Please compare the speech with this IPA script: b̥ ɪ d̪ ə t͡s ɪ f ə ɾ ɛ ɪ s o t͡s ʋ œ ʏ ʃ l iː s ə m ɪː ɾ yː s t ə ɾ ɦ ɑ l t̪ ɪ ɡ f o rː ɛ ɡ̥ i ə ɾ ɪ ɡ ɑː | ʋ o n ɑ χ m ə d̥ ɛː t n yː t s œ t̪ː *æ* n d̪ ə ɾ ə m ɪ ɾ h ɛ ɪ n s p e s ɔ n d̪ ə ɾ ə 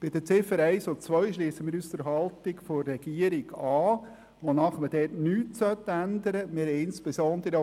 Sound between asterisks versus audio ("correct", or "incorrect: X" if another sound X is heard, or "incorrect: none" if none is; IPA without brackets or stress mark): correct